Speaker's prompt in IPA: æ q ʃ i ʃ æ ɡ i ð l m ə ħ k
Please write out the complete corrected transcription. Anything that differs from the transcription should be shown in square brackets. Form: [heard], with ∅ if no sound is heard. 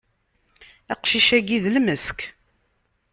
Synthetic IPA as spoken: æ q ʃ i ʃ æ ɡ i ð l m ə [s] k